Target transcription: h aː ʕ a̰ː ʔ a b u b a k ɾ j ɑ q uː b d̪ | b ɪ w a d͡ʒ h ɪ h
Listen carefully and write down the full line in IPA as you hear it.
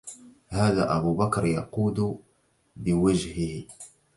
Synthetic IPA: h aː ð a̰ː ʔ a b u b a k ɾ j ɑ q uː d̪ | b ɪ w a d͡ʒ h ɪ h